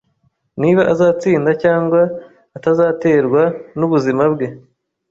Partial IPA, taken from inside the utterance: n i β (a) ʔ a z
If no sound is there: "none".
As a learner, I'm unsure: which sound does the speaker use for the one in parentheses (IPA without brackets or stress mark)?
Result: a